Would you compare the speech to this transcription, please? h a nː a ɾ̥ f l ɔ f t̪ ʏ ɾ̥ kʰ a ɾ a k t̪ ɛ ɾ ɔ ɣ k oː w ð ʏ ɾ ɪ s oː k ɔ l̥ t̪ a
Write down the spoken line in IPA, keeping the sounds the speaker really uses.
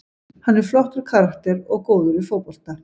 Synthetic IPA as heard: h a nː ɛ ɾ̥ f l ɔ h t̪ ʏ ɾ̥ kʰ a ɾ a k t̪ ɛ ɾ ɔ ɣ k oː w ð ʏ ɾ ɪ f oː p ɔ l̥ t̪ a